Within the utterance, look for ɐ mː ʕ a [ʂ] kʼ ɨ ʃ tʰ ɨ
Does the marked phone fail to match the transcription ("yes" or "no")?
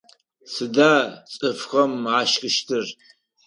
yes